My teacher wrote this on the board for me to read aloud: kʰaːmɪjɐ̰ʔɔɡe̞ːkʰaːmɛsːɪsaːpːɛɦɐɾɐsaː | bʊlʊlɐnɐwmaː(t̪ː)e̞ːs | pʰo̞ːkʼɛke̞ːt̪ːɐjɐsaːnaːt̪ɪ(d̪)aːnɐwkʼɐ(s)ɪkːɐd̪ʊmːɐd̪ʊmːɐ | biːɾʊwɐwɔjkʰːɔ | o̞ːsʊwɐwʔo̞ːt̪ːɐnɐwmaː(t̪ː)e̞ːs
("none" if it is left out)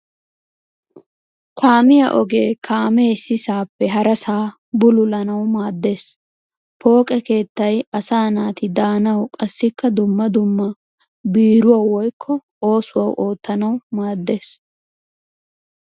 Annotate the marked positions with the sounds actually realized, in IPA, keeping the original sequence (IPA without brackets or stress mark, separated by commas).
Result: d̪ː, d̪, sː, d̪ː